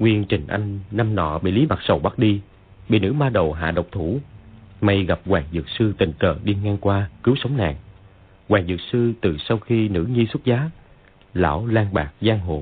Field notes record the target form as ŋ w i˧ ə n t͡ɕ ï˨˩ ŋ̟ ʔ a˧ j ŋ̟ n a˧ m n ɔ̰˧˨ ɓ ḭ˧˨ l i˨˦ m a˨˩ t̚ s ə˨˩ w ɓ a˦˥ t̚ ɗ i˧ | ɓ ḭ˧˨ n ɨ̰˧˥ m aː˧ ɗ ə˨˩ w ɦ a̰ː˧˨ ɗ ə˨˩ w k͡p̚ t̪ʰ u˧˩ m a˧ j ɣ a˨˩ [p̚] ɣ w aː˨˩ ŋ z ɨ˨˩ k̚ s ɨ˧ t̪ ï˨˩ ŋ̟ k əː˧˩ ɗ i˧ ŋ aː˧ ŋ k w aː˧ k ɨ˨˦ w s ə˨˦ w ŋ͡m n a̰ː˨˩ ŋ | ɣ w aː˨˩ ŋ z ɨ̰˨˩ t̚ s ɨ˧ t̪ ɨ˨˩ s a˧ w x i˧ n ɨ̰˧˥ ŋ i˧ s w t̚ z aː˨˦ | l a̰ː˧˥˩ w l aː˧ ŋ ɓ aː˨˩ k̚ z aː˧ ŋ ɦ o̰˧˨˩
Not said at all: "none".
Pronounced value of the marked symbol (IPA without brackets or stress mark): p̚